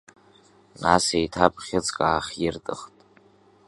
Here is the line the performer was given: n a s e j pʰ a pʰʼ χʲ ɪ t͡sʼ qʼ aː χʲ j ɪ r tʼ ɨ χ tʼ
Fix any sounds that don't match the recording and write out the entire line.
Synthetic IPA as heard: n a s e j tʰ a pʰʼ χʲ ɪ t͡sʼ kʼ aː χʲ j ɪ r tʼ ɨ χ tʼ